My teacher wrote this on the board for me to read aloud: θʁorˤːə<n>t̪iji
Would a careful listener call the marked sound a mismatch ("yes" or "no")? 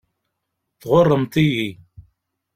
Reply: yes